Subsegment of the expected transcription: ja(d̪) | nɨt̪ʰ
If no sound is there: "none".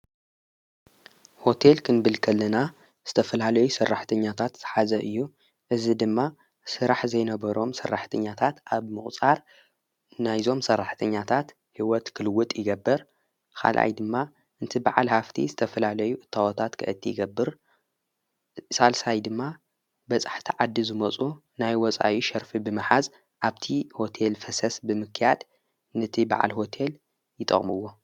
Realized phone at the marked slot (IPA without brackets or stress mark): d̪